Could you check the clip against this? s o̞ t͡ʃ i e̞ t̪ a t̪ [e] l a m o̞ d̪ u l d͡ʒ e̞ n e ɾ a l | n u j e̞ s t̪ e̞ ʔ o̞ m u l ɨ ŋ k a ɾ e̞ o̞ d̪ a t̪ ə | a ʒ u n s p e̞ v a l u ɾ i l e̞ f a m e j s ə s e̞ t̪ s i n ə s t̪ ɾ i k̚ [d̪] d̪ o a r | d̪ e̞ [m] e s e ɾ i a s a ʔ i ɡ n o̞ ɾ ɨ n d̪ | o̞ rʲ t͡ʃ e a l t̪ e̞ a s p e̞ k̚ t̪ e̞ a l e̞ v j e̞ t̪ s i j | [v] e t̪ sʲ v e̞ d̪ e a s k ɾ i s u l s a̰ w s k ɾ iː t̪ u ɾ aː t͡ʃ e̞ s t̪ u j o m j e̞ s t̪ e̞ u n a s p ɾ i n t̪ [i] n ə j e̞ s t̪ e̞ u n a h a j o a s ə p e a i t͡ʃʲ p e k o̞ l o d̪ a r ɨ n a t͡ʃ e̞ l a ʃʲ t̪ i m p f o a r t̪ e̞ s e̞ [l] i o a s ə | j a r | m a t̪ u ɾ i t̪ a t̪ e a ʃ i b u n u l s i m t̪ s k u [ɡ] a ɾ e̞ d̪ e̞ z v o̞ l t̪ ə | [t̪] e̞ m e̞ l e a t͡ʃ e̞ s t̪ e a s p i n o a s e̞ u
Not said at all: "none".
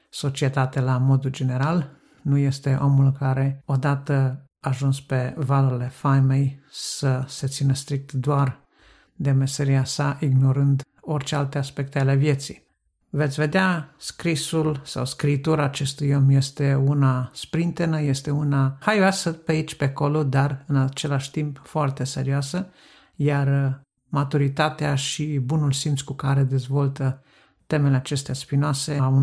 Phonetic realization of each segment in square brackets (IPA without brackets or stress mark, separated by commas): e, t̪, m, v, e, ɾ, k, t̪